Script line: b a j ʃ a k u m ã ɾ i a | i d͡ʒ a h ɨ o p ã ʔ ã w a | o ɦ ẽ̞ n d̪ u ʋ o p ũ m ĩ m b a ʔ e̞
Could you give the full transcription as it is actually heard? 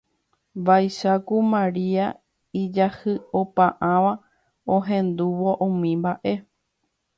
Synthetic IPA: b a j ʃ a k u m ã ɾ i a | i d͡ʒ a h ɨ o p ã ʔ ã ʋ a | o ɦ ẽ̞ n d̪ u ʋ o ʔ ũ m ĩ m b a ʔ e̞